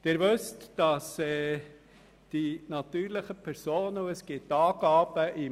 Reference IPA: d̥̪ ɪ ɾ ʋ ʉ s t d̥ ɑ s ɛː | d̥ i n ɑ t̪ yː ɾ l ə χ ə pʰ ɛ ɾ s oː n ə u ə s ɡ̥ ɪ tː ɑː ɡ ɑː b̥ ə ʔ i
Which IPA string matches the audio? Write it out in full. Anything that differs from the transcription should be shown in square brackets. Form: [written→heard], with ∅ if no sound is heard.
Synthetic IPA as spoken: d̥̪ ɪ ɾ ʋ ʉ s t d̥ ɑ s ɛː | d̥ i n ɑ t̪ yː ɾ l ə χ ə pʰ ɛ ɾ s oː n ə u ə s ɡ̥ ɪ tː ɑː ɡ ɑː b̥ ə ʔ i